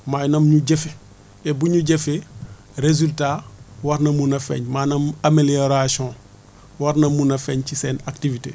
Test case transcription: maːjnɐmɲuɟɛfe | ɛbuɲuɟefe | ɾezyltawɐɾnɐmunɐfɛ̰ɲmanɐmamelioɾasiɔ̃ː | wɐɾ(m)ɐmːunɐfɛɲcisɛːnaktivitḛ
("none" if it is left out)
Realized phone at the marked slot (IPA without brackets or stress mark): n